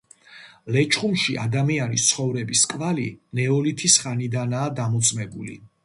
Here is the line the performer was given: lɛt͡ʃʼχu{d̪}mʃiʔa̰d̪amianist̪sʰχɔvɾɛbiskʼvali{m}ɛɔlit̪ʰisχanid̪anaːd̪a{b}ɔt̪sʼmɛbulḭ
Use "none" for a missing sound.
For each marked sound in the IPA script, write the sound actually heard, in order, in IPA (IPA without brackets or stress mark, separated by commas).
none, n, m